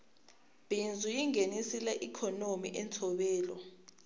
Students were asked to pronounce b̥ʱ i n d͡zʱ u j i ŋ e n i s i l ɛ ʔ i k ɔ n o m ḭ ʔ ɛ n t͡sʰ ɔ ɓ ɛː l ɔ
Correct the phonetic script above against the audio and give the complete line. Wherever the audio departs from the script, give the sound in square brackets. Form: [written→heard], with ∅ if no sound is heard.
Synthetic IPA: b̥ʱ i n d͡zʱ u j i ŋ e n i s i l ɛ ʔ i [k→kʰ] ɔ n o m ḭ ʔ ɛ n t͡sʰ ɔ ɓ ɛː l ɔ